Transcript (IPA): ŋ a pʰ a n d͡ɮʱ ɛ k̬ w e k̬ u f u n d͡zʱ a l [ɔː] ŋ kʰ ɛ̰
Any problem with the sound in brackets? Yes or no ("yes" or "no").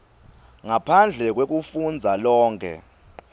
no